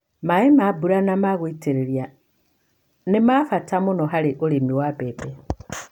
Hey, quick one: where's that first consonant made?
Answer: lips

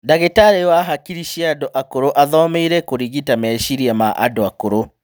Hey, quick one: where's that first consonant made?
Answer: tongue tip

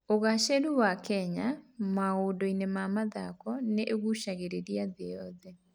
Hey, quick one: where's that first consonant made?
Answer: velum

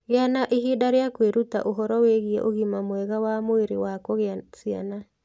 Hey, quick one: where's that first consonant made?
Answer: velum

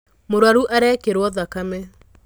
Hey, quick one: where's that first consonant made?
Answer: lips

